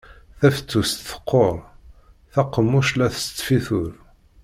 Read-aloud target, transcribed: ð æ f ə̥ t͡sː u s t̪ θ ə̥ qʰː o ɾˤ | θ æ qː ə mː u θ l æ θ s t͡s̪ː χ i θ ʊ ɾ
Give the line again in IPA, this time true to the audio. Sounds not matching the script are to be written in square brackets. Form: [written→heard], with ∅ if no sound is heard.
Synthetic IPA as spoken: [ð→θ] æ f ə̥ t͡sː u s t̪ θ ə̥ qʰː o ɾˤ | θ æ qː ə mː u [θ→ʃ] l æ θ s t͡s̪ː [χ→f] i θ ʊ ɾ